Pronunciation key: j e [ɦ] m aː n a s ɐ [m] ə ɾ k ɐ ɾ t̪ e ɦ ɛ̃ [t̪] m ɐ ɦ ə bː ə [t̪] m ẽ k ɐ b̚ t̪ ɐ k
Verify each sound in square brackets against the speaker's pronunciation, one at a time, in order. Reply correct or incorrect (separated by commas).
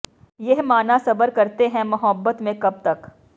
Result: correct, incorrect, incorrect, correct